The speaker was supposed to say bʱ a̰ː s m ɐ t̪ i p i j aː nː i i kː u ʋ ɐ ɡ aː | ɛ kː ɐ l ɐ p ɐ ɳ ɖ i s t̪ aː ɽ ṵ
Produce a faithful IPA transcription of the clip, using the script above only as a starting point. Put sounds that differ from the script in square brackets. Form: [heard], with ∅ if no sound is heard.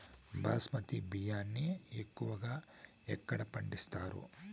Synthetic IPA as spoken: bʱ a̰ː s m ɐ t̪ i [b] i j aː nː i [e] kː u ʋ ɐ ɡ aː | ɛ kː ɐ [ɽ] ɐ p ɐ ɳ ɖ i s t̪ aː [ɾ] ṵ